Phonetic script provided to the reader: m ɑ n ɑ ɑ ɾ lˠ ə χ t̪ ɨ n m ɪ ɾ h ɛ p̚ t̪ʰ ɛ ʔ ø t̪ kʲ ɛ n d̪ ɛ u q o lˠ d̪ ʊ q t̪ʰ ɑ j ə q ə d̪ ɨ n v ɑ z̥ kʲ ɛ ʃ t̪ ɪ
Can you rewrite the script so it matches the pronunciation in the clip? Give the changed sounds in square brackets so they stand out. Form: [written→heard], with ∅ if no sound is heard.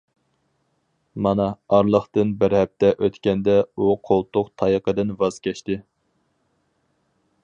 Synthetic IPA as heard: m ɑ n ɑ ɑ ɾ lˠ ə χ t̪ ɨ n [m→b] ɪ ɾ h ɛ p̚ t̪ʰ ɛ ʔ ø t̪ kʲ ɛ n d̪ ɛ u [q→qʰ] o lˠ [d̪→t̪] ʊ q t̪ʰ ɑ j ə q ə d̪ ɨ n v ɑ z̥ kʲ ɛ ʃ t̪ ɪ

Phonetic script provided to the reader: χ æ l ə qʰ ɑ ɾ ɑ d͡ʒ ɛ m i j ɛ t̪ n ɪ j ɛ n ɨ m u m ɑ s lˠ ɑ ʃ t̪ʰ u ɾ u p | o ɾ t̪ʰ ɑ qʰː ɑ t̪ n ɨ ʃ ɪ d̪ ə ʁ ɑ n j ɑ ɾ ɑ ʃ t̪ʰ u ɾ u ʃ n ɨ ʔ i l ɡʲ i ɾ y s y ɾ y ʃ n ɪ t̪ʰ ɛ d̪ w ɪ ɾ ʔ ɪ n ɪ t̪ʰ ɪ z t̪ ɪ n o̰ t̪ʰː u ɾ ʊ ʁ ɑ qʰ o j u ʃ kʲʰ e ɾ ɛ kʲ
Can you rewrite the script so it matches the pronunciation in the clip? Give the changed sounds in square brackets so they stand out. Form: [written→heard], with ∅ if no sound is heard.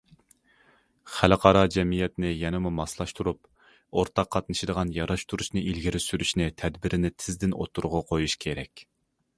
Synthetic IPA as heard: χ æ l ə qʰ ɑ ɾ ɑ d͡ʒ ɛ m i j ɛ t̪ n ɪ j ɛ n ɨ m u m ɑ s lˠ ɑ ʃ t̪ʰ u ɾ u p | o ɾ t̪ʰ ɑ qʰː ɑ t̪ n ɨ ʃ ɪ d̪ ə ʁ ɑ n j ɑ ɾ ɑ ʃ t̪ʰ u ɾ u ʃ n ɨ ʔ i l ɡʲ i ɾ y s y ɾ y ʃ n ɪ t̪ʰ ɛ d̪ [w→b] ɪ ɾ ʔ ɪ n ɪ t̪ʰ ɪ z [t̪→d̪] ɪ n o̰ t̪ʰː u ɾ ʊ ʁ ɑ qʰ o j u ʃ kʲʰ e ɾ ɛ kʲ

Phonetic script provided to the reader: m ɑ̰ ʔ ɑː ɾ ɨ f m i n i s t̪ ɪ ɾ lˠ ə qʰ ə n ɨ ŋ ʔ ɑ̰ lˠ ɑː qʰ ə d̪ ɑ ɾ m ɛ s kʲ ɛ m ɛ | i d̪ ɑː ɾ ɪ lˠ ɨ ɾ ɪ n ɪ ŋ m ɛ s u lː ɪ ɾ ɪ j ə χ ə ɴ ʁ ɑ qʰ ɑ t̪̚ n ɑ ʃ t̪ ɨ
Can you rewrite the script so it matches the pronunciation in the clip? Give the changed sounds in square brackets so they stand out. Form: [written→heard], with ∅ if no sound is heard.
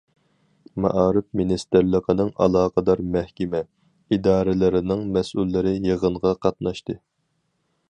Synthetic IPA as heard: m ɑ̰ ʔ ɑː ɾ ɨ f m i n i s t̪ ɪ ɾ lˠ ə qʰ ə n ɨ ŋ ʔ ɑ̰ lˠ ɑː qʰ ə d̪ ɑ ɾ m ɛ [s→h] kʲ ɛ m ɛ | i d̪ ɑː ɾ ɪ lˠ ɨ ɾ ɪ n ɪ ŋ m ɛ s u lː ɪ ɾ ɪ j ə [χ→ʁ] ə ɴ ʁ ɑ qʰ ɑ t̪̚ n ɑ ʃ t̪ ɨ

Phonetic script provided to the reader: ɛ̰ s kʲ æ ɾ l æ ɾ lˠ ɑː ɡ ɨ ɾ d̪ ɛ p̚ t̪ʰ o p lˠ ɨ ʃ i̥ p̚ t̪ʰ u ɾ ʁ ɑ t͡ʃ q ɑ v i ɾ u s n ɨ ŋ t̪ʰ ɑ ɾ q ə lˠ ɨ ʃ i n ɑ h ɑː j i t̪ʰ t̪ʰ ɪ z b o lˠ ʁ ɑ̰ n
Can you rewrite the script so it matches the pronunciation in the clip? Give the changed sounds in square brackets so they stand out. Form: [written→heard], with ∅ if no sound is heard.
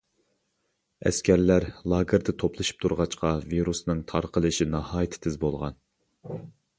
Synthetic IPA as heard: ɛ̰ s kʲ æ ɾ l æ ɾ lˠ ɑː ɡ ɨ ɾ d̪ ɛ [p̚→∅] t̪ʰ o p lˠ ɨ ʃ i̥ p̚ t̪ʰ u ɾ ʁ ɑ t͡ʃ q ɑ v i ɾ u s n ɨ ŋ t̪ʰ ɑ ɾ q ə lˠ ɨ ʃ i n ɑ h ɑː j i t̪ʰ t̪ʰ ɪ z b o lˠ ʁ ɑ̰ n

